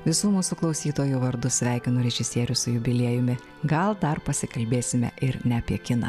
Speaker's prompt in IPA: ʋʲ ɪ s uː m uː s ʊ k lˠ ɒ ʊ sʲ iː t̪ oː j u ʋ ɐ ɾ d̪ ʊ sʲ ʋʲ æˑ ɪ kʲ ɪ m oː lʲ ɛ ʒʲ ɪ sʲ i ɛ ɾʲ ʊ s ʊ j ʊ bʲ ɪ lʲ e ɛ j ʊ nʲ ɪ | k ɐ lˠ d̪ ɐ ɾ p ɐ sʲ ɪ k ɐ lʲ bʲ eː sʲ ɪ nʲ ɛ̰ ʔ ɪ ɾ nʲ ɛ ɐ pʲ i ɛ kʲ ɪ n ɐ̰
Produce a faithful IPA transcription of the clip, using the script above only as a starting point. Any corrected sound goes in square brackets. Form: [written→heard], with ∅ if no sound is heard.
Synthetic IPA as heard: ʋʲ ɪ s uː m uː s ʊ k lˠ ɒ ʊ sʲ iː t̪ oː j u ʋ ɐ ɾ d̪ ʊ sʲ ʋʲ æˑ ɪ kʲ ɪ [m→n] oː [lʲ→ɾʲ] ɛ ʒʲ ɪ sʲ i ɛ ɾʲ ʊ s ʊ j ʊ bʲ ɪ lʲ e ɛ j ʊ [nʲ→mʲ] ɪ | [k→ɡ] ɐ lˠ d̪ ɐ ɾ p ɐ sʲ ɪ k ɐ lʲ bʲ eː sʲ ɪ [nʲ→mʲ] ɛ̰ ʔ ɪ ɾ nʲ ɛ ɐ pʲ i ɛ kʲ ɪ n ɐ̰